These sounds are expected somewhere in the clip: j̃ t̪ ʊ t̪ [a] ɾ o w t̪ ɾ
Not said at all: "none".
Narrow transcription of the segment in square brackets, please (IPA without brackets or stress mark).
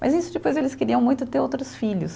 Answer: e